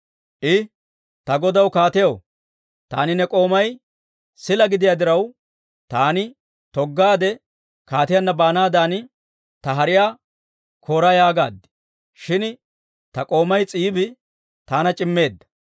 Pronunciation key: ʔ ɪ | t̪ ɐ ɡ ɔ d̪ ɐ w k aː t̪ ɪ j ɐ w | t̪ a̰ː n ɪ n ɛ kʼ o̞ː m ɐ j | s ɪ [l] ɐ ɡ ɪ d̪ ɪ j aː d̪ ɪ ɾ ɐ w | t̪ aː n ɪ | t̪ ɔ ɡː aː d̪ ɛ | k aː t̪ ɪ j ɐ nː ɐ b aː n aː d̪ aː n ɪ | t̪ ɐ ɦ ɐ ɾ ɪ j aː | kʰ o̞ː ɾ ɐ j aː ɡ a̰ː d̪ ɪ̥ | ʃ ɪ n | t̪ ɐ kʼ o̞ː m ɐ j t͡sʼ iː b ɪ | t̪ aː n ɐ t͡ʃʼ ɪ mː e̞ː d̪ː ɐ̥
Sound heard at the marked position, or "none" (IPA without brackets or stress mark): l